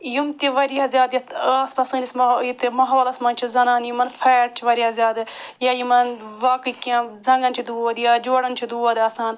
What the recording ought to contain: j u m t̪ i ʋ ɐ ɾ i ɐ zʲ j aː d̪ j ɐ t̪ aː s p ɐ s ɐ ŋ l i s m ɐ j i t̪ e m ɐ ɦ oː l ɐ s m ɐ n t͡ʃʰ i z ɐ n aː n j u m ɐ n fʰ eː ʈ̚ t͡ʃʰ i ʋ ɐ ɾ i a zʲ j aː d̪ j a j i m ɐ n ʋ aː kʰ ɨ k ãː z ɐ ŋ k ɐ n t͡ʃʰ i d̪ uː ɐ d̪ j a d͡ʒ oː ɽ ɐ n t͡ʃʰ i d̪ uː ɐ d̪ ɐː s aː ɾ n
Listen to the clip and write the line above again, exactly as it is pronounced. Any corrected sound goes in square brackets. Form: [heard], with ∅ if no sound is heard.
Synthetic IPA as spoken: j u m t̪ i ʋ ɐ ɾ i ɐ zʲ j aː d̪ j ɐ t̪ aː s p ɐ s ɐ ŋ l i s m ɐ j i t̪ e m ɐ ɦ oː l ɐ s m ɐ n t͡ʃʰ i z ɐ n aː n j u m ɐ n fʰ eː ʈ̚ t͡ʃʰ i ʋ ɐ ɾ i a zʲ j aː d̪ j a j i m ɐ n ʋ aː [k] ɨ k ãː z ɐ ŋ [ɡ] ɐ n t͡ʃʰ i d̪ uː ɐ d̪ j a d͡ʒ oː ɽ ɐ n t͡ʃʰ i d̪ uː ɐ d̪ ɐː s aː [∅] n